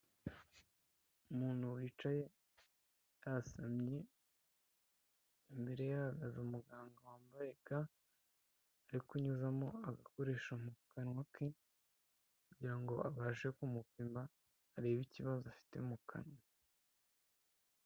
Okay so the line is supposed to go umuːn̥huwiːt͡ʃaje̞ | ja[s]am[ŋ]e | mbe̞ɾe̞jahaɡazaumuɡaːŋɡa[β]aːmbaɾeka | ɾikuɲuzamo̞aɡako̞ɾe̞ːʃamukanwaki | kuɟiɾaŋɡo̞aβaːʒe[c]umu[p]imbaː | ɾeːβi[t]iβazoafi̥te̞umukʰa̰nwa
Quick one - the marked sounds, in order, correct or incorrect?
correct, incorrect: ɲ, incorrect: w, incorrect: k, correct, incorrect: c

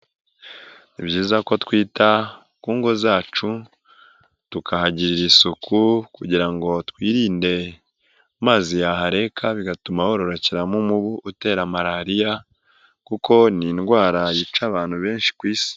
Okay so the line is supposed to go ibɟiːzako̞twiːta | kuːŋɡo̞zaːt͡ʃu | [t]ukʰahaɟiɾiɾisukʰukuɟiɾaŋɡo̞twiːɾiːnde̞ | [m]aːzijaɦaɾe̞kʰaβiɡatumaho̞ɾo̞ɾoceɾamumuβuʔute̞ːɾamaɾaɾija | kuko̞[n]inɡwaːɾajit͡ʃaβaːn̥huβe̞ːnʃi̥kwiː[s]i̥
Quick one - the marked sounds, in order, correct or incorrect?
correct, correct, correct, correct

